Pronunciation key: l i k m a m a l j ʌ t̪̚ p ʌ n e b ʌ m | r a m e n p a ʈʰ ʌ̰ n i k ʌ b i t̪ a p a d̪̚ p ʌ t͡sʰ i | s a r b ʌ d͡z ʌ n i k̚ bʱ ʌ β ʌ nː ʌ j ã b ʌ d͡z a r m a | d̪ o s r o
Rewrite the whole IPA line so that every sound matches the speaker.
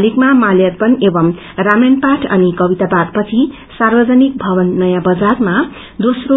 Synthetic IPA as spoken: l i k m a m a l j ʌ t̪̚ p ʌ n e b ʌ m | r a m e n p a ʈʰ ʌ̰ n i k ʌ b i t̪ a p a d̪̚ p ʌ t͡sʰ i | s a r b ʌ d͡z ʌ n i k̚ bʱ ʌ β ʌ nː ʌ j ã b ʌ d͡z a r m a | d̪ o s r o